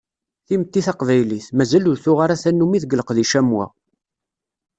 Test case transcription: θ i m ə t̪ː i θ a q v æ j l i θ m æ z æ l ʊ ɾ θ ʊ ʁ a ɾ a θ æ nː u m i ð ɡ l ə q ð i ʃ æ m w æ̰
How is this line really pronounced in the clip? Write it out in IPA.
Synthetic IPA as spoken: θ i m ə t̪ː i θ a q v æ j l i θ m æ z æ l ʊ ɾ θ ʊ ʁ a ɾ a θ æ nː u m i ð ɡ l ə q ð i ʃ æ m w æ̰